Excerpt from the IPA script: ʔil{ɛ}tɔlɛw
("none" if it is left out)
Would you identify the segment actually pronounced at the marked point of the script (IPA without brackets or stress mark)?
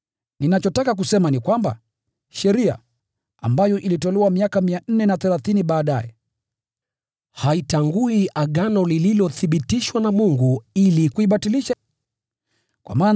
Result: i